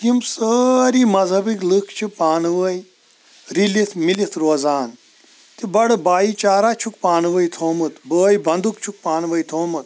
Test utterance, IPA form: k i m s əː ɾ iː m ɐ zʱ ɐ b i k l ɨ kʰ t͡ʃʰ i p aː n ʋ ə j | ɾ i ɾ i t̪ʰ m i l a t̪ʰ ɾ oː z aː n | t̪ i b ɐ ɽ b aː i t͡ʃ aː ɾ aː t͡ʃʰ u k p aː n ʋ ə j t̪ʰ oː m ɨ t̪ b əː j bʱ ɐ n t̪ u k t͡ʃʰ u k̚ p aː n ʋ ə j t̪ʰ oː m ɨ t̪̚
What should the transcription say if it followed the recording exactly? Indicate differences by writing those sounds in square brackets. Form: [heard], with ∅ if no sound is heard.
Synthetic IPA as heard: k i m s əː ɾ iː m ɐ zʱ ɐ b i k l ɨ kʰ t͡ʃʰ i p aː n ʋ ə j | ɾ i [l] i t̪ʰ m i l [i] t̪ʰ ɾ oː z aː n | t̪ i b ɐ ɽ b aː i t͡ʃ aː ɾ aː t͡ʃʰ u k p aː n ʋ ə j t̪ʰ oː m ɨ t̪ b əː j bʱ ɐ n [d̪] u k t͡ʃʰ u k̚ p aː n ʋ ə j t̪ʰ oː m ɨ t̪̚